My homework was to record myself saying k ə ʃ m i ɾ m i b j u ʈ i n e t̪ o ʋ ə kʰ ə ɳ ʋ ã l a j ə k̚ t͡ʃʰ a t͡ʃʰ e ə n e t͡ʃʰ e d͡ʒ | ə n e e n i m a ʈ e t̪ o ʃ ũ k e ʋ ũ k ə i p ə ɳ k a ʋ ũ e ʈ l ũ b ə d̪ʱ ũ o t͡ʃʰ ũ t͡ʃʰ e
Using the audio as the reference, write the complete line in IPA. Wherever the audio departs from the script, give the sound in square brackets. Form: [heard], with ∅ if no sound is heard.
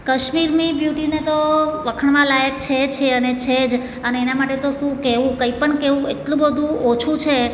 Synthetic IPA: k ə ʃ m i ɾ m i b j u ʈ i n e t̪ o ʋ ə kʰ ə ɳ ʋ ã l a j ə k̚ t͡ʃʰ [e] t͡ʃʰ e ə n e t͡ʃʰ e d͡ʒ | ə n e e n [a] m a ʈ e t̪ o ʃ ũ k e ʋ ũ k ə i p ə ɳ k [e] ʋ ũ e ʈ l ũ b ə d̪ʱ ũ o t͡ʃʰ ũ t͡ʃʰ e